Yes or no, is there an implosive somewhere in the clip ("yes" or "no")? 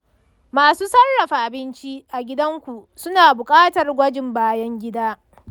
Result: no